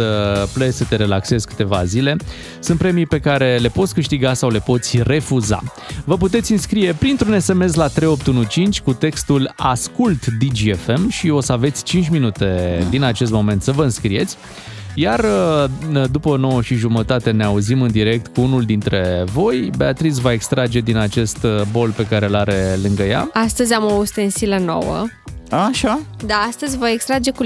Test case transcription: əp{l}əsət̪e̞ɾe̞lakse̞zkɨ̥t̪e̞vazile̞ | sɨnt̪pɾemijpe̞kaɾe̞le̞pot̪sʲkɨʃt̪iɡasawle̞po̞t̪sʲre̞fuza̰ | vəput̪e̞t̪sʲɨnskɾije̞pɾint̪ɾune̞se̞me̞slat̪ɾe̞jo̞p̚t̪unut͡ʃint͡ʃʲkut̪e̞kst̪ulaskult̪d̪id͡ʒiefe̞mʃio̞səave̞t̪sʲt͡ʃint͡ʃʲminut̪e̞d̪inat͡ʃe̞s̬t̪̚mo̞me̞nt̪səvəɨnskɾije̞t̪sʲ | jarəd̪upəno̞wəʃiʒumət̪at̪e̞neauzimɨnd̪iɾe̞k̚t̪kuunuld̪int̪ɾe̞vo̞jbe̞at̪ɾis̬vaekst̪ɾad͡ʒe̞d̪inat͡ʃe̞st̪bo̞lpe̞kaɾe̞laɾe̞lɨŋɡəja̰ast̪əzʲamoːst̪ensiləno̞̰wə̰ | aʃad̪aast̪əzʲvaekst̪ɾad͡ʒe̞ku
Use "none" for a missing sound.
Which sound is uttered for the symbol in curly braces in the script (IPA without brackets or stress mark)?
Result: l